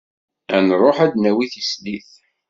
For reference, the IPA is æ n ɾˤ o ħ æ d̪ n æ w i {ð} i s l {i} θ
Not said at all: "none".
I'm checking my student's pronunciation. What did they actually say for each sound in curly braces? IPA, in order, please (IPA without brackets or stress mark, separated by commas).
θ, i